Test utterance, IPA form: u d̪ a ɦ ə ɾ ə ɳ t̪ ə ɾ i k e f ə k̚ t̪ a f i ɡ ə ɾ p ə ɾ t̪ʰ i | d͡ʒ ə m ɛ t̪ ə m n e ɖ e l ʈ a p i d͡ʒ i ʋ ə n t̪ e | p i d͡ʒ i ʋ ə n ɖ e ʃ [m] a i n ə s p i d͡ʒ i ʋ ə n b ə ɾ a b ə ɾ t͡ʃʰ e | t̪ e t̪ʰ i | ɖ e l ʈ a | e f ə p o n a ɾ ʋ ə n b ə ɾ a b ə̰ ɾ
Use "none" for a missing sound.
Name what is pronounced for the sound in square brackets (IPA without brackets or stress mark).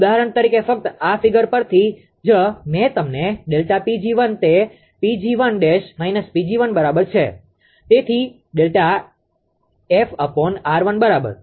m